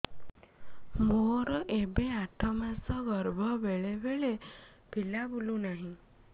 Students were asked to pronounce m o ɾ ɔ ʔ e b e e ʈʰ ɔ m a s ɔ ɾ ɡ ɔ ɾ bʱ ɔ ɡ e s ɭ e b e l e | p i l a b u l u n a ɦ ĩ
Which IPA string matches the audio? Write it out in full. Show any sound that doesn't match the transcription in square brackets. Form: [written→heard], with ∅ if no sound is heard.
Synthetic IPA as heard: m o ɾ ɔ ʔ e b e [e→a] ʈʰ ɔ m a s ɔ [ɾ→∅] ɡ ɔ ɾ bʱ ɔ [ɡ→b] e [s→∅] ɭ e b e [l→ɭ] e | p i l a b u l u n a ɦ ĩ